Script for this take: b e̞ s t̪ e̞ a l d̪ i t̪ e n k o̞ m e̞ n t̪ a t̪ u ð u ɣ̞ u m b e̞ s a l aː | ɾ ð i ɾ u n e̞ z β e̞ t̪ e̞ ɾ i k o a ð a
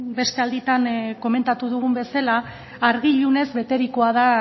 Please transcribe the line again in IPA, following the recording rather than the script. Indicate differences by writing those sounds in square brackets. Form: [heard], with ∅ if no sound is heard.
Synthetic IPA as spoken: b e̞ s t̪ e̞ a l d̪ i t̪ [a] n k o̞ m e̞ n t̪ a t̪ u ð u ɣ̞ u m b e̞ s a l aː | ɾ [ɣ] i [ʎ] u n e̞ z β e̞ t̪ e̞ ɾ i k o a ð a